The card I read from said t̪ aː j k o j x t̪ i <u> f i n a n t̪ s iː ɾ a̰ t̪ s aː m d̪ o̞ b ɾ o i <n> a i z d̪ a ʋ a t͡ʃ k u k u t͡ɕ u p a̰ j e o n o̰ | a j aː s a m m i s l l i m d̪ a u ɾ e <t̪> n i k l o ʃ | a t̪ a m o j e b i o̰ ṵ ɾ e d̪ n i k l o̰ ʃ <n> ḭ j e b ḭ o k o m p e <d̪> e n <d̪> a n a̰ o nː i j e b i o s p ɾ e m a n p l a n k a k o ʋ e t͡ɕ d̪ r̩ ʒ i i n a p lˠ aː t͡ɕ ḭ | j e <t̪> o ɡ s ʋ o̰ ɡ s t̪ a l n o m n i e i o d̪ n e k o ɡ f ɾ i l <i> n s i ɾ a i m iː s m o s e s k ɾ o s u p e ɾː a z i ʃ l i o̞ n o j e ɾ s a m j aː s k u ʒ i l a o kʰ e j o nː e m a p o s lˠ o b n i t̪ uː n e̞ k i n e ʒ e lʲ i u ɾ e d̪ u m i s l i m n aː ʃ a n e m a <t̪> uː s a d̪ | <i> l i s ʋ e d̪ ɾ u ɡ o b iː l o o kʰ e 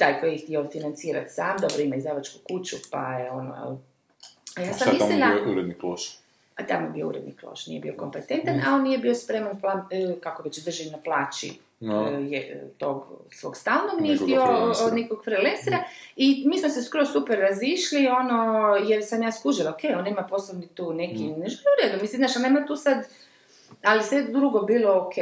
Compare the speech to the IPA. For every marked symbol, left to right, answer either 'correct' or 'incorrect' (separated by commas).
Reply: incorrect, incorrect, incorrect, correct, incorrect, incorrect, correct, incorrect, correct, incorrect